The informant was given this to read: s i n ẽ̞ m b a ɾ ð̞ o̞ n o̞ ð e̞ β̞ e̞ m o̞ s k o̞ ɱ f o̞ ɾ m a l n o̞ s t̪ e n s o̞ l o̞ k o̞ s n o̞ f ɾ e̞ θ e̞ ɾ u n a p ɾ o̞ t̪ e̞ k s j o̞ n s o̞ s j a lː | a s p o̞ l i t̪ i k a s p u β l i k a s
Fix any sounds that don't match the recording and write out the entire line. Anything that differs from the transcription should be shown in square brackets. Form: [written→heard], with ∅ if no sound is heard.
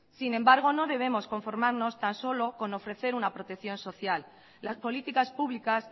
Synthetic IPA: s i n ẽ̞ m b a ɾ [ð̞→ɣ̞] o̞ n o̞ ð e̞ β̞ e̞ m o̞ s k o̞ ɱ f o̞ ɾ m a [l→ɾ] n o̞ s t̪ [e→a] n s o̞ l o̞ k o̞ [s→∅] n o̞ f ɾ e̞ θ e̞ ɾ u n a p ɾ o̞ t̪ e̞ k [s→θ] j o̞ n s o̞ [s→θ] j a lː | a s p o̞ l i t̪ i k a s p u β l i k a s